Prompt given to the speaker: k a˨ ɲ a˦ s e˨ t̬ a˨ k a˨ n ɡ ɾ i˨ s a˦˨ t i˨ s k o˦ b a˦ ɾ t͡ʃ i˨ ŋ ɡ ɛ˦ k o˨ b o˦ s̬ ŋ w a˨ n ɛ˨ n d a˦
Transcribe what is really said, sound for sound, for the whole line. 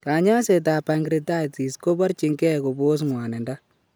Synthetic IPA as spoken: k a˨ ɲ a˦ s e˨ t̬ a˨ p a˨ ŋ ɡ ɾ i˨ t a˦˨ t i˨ s k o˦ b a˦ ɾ t͡ʃ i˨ ŋ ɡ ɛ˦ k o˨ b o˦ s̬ ŋ w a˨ n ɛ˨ n d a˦